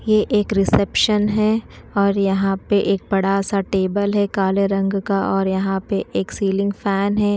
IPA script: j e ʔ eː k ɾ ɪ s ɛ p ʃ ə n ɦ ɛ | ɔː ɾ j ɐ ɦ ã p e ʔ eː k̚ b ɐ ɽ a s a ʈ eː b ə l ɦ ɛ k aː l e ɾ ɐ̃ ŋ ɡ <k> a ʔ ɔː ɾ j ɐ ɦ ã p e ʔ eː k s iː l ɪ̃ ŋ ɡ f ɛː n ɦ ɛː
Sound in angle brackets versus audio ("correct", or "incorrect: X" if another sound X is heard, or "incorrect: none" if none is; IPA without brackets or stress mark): correct